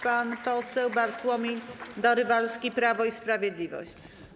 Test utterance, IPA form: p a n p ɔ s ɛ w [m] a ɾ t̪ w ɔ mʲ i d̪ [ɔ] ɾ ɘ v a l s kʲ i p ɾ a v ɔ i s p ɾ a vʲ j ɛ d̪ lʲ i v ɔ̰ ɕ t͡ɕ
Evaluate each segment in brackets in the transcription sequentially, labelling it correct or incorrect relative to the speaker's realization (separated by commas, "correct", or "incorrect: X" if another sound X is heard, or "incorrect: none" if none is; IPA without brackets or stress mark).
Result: incorrect: b, correct